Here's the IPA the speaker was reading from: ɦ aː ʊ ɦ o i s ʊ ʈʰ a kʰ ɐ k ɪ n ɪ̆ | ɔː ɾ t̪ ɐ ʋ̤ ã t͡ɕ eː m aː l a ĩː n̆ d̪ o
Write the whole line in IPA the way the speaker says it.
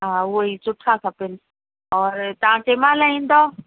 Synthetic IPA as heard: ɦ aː ʊ ɦ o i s ʊ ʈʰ a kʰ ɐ p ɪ n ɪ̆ | ɔː ɾ t̪ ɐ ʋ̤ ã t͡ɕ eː m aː l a ĩː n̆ d̪ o

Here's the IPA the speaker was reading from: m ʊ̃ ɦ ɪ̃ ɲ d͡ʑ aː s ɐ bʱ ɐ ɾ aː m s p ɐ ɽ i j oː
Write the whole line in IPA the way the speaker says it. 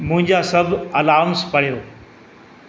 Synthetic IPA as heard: m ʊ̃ ɦ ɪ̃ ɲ d͡ʑ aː s ɐ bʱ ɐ l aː m s p ɐ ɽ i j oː

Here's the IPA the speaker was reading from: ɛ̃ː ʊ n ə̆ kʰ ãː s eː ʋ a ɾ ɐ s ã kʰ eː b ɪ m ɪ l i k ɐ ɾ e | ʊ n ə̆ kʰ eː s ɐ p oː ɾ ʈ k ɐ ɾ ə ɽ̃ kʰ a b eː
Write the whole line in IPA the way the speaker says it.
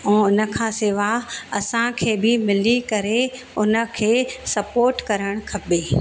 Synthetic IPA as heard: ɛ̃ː ʊ n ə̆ kʰ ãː s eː ʋ a ɐ s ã kʰ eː b ɪ m ɪ l i k ɐ ɾ e | ʊ n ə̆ kʰ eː s ɐ p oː ɾ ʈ k ɐ ɾ ə ɽ̃ kʰ ɐ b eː

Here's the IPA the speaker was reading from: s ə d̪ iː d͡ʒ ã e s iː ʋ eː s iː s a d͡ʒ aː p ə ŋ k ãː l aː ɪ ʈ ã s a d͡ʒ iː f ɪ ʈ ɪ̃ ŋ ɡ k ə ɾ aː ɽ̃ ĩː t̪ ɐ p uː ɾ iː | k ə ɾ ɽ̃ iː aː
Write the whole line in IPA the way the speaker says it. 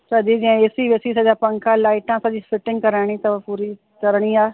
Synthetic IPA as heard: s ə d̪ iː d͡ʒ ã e s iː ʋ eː s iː s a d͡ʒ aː p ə ŋ k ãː l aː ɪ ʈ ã s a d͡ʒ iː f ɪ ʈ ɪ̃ ŋ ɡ k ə ɾ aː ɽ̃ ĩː t̪ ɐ p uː ɾ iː | k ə ɾ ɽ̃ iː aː

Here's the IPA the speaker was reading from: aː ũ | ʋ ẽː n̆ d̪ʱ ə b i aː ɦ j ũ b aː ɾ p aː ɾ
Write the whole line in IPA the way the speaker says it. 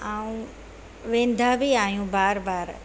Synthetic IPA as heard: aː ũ | ʋ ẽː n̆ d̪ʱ a b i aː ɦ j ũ b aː ɾ b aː ɾ

